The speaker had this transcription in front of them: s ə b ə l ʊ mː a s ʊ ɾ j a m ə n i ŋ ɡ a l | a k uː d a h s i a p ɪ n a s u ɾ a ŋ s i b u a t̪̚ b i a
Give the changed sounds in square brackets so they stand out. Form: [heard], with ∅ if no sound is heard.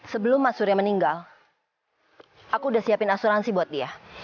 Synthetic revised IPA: s ə b ə l ʊ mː a s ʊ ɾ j a m ə n i ŋ ɡ a l | a k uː d a h s i a p ɪ n a s u ɾ a [n] s i b u a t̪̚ [d] i a